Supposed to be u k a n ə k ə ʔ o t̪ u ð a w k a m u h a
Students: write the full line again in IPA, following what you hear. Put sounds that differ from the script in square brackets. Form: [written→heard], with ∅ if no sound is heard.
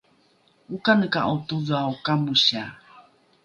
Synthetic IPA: u k a n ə k [ə→a] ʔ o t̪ u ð a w k a m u [h→ɕ] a